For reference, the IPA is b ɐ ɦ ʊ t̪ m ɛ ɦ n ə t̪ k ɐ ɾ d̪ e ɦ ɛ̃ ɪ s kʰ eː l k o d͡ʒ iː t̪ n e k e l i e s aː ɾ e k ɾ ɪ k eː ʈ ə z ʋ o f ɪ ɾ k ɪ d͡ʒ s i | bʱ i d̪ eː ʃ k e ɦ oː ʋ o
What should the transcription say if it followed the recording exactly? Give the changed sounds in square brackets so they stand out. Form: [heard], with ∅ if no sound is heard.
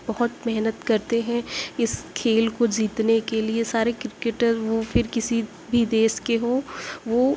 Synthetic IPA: b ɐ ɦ ʊ t̪ m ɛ ɦ n ə t̪ k ɐ ɾ [t̪] e ɦ ɛ̃ ɪ s kʰ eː l k o d͡ʒ iː t̪ n e k e l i e s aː ɾ e k ɾ ɪ k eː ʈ ə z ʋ o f ɪ ɾ k ɪ [∅] s i | bʱ i d̪ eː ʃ k e ɦ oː ʋ o